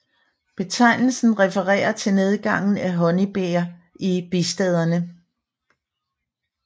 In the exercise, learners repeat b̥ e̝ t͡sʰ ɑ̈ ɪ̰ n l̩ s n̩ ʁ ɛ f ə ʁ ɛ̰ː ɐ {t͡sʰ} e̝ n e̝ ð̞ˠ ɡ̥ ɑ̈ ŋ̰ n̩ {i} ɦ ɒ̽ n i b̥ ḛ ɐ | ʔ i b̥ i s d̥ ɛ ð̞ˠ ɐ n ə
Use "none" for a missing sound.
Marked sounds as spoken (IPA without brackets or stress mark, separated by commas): t͡sʰ, æ